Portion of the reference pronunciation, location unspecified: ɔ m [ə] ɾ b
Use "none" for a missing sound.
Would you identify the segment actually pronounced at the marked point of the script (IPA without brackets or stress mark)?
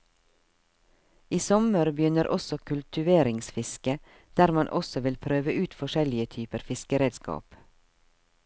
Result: ə